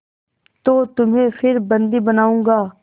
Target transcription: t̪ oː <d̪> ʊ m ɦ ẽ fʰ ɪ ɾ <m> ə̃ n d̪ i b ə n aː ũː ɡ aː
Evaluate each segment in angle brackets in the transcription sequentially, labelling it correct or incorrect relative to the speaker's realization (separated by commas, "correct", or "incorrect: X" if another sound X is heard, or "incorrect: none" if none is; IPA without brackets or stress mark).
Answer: incorrect: t̪, incorrect: b